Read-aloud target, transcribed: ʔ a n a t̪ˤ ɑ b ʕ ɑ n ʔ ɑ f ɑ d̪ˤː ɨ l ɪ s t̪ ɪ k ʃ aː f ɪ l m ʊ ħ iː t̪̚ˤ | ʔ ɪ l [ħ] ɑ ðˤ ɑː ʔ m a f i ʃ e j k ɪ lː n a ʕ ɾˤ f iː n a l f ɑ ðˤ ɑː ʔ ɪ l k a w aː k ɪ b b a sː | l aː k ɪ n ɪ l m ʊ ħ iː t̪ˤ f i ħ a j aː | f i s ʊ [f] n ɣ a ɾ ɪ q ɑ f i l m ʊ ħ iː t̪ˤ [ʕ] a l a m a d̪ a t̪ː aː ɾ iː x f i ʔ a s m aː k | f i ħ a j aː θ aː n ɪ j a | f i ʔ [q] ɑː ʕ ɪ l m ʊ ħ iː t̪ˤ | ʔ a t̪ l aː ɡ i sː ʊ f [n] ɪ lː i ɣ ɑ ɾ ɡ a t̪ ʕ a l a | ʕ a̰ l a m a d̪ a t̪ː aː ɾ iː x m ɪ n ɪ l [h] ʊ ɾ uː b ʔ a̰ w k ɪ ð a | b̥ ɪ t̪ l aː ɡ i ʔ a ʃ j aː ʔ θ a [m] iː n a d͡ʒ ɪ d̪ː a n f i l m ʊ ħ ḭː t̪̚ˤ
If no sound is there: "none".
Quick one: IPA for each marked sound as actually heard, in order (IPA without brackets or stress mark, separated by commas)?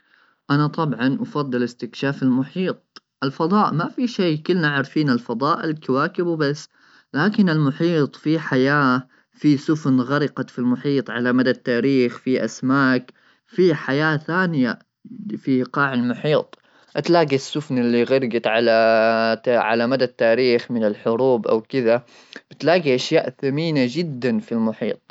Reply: f, f, ʕ, q, n, ħ, m